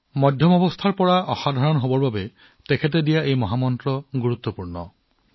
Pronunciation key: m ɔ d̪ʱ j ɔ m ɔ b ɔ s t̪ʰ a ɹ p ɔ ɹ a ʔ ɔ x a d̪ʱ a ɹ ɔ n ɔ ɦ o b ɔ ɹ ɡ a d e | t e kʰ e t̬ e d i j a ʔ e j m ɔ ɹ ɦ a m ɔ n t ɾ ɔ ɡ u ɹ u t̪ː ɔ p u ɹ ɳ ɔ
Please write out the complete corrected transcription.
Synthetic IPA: m ɔ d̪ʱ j ɔ m ɔ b ɔ s t̪ʰ a ɹ p ɔ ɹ a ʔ ɔ x a d̪ʱ a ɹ ɔ n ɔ ɦ o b ɔ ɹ b a b e | t e kʰ e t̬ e d i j a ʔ e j m ɔ ɦ a m ɔ n t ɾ ɔ ɡ u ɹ u t̪ː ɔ p u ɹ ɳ ɔ